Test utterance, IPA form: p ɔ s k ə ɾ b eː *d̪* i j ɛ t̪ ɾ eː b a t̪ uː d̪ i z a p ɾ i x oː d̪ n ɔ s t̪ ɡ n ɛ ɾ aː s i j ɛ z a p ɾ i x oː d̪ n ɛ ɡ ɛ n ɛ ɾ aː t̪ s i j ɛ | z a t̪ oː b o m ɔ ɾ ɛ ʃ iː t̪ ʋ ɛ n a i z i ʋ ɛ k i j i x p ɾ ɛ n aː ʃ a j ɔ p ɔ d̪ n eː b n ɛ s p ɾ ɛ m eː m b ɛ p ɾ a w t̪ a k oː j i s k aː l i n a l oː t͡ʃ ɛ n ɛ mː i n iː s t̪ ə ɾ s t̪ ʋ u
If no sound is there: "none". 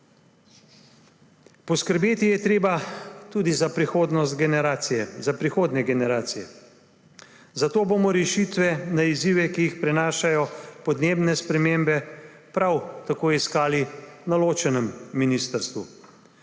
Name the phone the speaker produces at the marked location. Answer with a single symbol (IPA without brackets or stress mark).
t̪